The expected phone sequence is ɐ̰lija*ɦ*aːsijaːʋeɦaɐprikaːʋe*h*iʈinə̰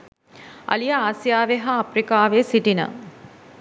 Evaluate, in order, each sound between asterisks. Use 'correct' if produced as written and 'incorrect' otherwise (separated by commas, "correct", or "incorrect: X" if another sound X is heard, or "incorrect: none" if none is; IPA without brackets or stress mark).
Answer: incorrect: none, incorrect: s